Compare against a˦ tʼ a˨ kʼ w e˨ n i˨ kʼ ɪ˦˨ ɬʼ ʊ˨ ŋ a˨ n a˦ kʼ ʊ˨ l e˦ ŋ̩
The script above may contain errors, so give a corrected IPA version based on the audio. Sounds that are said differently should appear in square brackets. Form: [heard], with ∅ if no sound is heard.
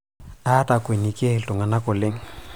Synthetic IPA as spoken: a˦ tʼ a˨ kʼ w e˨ n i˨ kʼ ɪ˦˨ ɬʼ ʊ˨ ŋ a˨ n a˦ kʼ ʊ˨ l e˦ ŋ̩